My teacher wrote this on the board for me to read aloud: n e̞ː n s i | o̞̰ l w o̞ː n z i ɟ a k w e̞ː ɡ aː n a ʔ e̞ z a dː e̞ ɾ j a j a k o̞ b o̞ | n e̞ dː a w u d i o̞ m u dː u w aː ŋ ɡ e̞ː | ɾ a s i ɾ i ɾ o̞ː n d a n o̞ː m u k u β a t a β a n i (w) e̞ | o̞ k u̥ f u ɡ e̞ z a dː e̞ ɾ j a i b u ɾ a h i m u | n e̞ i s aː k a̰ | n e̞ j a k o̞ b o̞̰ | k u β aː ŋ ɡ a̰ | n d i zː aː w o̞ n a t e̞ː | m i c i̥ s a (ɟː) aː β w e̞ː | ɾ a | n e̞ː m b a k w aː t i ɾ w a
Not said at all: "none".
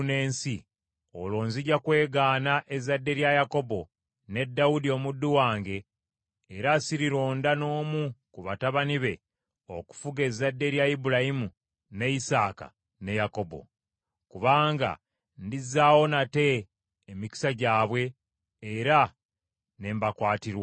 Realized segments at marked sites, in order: β, ɟ

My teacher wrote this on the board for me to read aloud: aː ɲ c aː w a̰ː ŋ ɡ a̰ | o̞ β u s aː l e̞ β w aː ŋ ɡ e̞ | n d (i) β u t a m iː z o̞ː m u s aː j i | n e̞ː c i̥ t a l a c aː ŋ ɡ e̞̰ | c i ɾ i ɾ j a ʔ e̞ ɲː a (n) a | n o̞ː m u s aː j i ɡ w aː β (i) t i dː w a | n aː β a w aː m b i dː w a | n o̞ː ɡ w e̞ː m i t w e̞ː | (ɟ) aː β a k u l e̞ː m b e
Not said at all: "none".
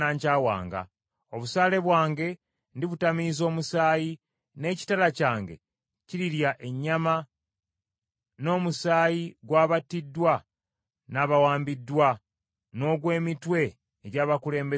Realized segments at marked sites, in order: i, m, a, ɟ

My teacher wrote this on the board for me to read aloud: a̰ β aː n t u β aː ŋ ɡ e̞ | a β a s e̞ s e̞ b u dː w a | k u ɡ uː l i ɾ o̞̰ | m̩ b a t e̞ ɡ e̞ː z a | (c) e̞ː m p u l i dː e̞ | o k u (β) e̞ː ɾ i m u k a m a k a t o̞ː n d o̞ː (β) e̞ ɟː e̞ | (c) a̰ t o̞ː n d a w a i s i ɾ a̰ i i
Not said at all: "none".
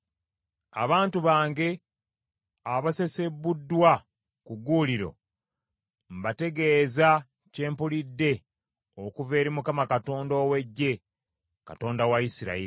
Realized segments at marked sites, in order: c, v, w, k

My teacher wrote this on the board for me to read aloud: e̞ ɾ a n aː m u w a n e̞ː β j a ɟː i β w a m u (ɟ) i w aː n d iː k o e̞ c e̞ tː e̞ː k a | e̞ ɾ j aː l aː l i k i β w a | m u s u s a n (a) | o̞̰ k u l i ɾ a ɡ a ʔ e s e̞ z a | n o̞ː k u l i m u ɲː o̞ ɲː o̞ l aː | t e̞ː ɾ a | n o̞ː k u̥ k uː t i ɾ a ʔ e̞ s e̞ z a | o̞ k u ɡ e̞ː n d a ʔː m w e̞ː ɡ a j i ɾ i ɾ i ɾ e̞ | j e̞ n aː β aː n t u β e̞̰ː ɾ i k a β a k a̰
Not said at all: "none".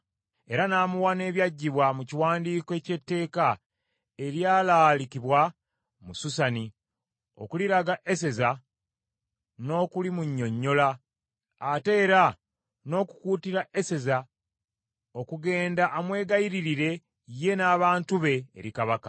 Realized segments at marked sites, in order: c, i

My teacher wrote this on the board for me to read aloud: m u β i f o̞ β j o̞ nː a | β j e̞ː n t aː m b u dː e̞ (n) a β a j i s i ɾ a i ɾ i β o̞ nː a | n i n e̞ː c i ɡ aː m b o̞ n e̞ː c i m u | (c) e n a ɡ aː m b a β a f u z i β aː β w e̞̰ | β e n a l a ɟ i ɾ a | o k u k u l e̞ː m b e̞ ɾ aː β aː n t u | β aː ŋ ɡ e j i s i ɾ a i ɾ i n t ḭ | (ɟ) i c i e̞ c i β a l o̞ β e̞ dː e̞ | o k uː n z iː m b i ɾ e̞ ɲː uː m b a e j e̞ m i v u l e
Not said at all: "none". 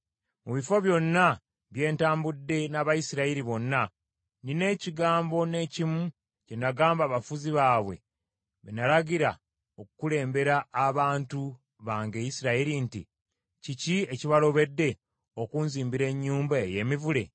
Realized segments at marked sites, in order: n, c, c

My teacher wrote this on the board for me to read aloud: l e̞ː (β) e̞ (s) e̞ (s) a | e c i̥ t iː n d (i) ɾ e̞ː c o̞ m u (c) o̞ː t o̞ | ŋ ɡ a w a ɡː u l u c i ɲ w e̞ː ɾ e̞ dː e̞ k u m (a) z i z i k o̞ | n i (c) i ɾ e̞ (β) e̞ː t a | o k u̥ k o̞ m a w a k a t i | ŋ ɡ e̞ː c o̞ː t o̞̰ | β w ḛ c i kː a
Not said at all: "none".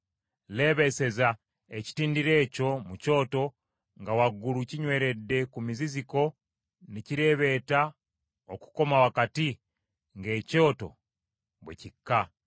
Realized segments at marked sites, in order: β, s, z, i, c, i, c, β

